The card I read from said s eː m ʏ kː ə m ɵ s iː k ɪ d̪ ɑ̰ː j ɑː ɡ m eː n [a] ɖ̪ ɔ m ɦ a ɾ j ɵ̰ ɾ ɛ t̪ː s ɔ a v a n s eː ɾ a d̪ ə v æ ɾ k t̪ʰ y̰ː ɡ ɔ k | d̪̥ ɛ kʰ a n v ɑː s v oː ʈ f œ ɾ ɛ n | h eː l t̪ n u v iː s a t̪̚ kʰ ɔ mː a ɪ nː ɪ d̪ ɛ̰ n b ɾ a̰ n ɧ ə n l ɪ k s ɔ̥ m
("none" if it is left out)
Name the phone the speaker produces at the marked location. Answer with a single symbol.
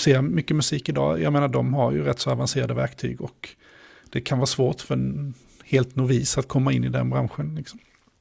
a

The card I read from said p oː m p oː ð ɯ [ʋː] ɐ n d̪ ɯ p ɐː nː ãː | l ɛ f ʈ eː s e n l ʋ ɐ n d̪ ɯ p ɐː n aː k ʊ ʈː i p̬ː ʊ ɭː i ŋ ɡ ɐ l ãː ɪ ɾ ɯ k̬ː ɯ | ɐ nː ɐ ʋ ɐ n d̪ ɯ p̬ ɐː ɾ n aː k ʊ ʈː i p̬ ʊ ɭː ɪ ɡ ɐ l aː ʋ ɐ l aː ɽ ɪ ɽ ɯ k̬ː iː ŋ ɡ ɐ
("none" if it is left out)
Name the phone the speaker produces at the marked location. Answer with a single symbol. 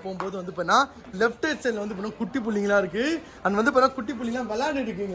ʋ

